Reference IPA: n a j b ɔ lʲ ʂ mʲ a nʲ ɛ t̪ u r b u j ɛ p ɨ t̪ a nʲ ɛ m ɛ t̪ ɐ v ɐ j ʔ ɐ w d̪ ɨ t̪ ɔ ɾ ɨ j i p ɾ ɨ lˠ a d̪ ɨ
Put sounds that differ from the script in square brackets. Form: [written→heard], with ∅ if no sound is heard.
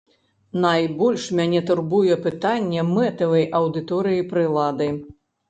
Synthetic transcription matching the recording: n a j b ɔ lʲ ʂ mʲ a nʲ ɛ t̪ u r b u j ɛ p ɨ t̪ a [nʲ→nʲː] ɛ m ɛ t̪ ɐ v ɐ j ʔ ɐ w d̪ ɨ t̪ ɔ ɾ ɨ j i p ɾ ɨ lˠ a d̪ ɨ

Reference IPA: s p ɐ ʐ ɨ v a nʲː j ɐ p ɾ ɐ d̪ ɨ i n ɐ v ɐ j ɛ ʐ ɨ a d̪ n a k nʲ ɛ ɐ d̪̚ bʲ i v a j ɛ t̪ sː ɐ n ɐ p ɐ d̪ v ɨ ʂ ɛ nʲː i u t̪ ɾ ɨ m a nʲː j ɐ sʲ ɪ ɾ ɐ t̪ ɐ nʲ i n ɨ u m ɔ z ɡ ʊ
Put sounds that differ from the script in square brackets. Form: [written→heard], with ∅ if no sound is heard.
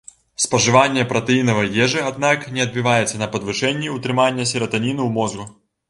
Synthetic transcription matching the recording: s p ɐ ʐ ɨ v a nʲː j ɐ p ɾ ɐ [d̪→t̪] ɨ i n ɐ v ɐ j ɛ ʐ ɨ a d̪ n a k nʲ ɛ ɐ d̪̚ bʲ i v a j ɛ t̪ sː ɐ n ɐ p ɐ d̪ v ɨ ʂ ɛ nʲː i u t̪ ɾ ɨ m a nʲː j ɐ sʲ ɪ ɾ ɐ t̪ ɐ nʲ i n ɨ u m ɔ z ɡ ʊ

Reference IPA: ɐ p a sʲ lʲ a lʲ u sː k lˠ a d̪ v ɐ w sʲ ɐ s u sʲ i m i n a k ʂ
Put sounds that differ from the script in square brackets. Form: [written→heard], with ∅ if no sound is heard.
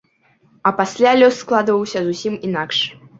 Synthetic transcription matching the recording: ɐ p a sʲ lʲ a lʲ [u→ɔ] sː k lˠ a d̪ v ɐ w sʲ ɐ [s→z] u sʲ i m i n a k ʂ

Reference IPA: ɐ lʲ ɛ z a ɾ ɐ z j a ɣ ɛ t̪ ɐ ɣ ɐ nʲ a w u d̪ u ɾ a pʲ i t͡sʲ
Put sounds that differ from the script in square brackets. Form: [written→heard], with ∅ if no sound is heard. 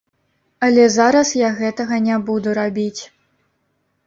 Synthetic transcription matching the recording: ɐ lʲ ɛ z a ɾ ɐ [z→s] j a ɣ ɛ t̪ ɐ ɣ ɐ nʲ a [w→b] u d̪ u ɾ a [pʲ→bʲ] i t͡sʲ

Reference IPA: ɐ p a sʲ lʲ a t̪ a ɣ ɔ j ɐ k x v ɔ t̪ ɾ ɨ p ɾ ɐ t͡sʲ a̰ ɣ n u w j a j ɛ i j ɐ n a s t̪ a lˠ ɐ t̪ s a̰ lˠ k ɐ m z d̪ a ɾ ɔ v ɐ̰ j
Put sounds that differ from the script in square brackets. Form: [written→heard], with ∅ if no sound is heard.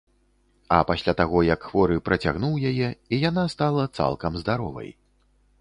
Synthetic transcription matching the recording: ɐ p a sʲ lʲ a t̪ a ɣ ɔ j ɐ k x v ɔ [t̪→∅] ɾ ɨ p ɾ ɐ t͡sʲ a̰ ɣ n u w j a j ɛ i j [ɐ→a] n a s t̪ a lˠ ɐ t̪ s a̰ lˠ k ɐ m z d̪ a ɾ ɔ v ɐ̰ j

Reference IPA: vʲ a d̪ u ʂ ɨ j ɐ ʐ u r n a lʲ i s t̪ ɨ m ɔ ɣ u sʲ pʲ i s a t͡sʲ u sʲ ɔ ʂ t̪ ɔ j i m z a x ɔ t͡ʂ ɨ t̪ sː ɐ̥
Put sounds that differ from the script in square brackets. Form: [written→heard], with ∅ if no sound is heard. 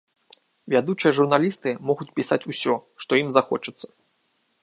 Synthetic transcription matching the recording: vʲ a d̪ u [ʂ→t͡ʂ] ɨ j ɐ ʐ u r n a lʲ i s t̪ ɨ m ɔ ɣ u [sʲ→t͡sʲ] pʲ i s a t͡sʲ u sʲ ɔ ʂ t̪ ɔ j i m z a x ɔ t͡ʂ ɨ t̪ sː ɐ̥

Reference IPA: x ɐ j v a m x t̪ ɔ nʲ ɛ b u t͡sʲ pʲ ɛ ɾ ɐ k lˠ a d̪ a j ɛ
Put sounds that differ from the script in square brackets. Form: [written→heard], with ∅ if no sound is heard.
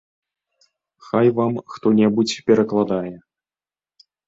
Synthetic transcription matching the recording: x [ɐ→a] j v a m x t̪ ɔ nʲ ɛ b u t͡sʲ pʲ ɛ ɾ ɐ k lˠ a d̪ a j ɛ

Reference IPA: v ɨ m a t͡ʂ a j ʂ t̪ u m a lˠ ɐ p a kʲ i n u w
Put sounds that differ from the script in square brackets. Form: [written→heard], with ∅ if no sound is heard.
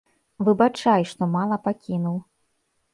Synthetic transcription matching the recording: v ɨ [m→b] a t͡ʂ a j ʂ t̪ [u→ɔ] m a lˠ ɐ p a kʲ i n u w

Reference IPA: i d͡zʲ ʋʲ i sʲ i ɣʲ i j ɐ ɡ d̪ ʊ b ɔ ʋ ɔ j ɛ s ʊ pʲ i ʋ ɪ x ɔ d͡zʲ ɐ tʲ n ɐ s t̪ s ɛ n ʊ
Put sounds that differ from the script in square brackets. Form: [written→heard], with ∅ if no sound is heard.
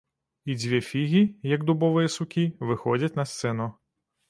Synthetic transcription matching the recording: i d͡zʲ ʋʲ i [sʲ→fʲ] i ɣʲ i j ɐ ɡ d̪ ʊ b ɔ ʋ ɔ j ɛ s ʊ [pʲ→kʲ] i ʋ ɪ x ɔ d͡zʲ ɐ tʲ n ɐ s t̪ s ɛ n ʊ

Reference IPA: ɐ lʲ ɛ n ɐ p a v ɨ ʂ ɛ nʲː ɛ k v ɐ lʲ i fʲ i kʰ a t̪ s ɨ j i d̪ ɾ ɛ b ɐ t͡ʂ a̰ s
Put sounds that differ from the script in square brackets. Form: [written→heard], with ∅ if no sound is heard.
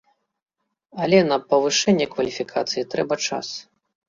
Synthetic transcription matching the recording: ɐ lʲ ɛ n ɐ p [a→ɐ] v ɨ ʂ ɛ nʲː ɛ k v ɐ lʲ i fʲ i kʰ a t̪ s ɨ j i [d̪→t̪] ɾ ɛ b ɐ t͡ʂ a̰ s

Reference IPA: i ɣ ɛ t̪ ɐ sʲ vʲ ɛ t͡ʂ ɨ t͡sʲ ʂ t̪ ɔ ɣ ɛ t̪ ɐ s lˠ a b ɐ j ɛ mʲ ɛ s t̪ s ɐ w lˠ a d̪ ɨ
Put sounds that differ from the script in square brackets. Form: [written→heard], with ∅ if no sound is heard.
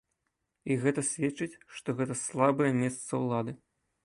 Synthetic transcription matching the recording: i ɣ ɛ t̪ ɐ sʲ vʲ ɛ t͡ʂ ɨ t͡sʲ ʂ t̪ ɔ ɣ ɛ t̪ ɐ s lˠ a b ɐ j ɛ mʲ ɛ s t̪ s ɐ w lˠ a d̪ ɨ

